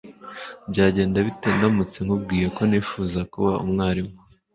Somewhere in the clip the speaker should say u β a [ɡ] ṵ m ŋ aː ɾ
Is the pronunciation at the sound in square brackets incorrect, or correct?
incorrect: none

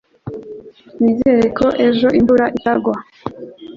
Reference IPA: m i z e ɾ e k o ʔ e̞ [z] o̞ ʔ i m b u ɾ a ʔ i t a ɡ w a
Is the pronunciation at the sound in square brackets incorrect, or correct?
incorrect: ʒ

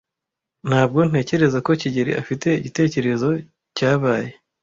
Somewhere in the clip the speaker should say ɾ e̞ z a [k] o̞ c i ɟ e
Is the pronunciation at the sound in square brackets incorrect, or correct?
correct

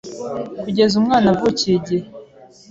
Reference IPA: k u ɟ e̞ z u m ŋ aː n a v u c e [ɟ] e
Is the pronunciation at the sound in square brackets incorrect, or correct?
correct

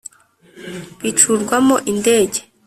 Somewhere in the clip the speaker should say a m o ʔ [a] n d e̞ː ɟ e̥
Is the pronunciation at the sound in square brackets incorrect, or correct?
incorrect: i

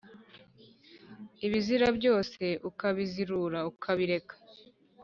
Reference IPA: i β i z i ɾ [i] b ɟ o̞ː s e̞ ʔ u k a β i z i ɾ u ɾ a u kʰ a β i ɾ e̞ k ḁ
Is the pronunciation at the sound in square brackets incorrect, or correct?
incorrect: a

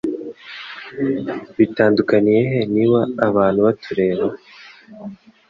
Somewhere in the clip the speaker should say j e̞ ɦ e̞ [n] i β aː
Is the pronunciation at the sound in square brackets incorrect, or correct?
correct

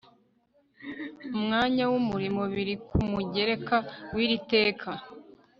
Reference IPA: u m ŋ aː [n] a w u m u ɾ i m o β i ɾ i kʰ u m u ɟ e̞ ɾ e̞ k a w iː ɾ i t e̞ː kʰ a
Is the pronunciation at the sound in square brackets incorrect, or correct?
incorrect: ɲ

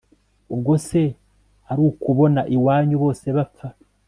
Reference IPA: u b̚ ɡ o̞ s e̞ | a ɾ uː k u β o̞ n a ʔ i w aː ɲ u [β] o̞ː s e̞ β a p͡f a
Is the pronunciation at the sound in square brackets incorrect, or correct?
correct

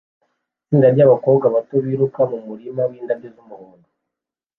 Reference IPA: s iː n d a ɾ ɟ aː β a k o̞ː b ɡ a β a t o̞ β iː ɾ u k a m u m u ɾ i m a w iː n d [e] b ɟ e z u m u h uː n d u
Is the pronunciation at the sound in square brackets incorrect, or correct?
incorrect: a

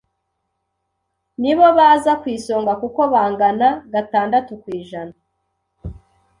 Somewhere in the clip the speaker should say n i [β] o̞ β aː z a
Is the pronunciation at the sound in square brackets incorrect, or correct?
correct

